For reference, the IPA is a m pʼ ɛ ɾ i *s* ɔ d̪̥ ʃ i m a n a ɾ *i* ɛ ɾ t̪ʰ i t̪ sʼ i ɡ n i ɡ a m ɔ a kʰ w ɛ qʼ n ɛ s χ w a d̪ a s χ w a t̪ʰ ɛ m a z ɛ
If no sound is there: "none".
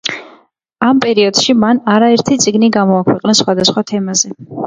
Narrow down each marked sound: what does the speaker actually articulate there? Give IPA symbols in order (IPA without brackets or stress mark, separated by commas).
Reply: none, a